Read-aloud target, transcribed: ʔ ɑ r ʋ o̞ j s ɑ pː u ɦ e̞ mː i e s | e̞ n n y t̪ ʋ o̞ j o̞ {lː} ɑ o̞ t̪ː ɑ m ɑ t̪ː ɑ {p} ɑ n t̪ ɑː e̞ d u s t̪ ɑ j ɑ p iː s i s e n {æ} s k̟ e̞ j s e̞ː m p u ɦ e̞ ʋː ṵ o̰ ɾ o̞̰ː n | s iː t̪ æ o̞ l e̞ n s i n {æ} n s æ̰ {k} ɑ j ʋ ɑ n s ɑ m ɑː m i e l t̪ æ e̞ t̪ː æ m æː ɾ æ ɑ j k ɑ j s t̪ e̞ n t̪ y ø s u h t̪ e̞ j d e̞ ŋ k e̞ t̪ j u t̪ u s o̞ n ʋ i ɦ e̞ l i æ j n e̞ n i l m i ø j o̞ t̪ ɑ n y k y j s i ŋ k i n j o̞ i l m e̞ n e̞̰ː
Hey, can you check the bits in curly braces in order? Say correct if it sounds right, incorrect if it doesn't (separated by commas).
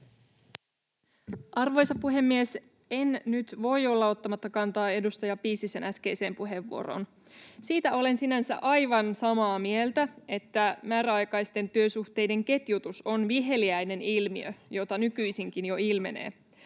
correct, incorrect, correct, correct, incorrect